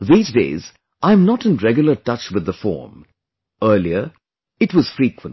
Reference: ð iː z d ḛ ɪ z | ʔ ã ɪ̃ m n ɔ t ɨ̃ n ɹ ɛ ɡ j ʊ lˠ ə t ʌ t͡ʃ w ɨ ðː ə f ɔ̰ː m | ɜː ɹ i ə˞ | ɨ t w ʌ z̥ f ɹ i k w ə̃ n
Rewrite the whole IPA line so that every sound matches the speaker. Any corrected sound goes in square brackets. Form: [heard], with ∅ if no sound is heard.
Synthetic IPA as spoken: ð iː z d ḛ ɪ z | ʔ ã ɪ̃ m n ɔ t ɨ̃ n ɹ ɛ ɡ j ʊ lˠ ə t ʌ t͡ʃ w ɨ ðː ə f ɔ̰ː m | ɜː [l] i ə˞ | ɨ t w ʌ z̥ f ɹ i k w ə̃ n